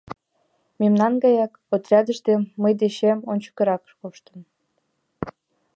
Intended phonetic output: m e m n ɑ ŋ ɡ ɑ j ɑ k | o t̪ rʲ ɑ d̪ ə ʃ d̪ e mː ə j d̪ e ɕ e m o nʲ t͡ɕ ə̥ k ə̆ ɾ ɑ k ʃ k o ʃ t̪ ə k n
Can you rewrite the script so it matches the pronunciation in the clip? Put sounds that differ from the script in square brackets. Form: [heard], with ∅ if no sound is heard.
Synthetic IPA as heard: m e m n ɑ [n] ɡ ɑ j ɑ k | o t̪ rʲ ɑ d̪ ə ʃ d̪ e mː ə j d̪ e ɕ e m o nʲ t͡ɕ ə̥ k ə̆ ɾ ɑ k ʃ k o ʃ t̪ ə [∅] n